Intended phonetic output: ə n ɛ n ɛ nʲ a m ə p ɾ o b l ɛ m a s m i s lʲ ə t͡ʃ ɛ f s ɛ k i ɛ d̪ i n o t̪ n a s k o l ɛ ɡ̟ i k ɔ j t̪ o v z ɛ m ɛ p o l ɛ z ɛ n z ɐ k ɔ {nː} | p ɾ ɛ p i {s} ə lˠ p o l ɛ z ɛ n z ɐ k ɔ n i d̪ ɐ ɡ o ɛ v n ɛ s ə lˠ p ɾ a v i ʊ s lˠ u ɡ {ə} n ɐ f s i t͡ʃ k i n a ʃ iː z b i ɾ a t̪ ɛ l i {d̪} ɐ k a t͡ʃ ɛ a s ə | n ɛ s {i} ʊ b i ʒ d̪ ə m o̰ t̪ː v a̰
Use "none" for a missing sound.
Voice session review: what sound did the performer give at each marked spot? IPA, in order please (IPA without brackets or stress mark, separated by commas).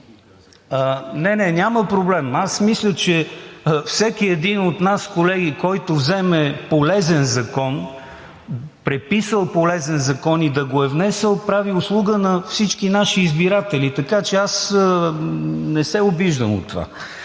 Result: n, s, ə, t̪, ɛ